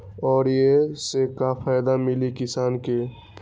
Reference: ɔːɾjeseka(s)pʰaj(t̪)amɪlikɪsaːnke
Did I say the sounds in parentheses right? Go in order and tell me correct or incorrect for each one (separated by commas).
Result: incorrect, incorrect